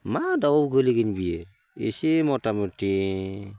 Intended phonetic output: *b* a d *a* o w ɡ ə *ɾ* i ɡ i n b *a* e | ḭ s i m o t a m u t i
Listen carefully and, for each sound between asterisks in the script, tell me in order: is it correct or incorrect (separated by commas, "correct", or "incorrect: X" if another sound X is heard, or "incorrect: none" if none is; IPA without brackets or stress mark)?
incorrect: m, correct, incorrect: l, incorrect: i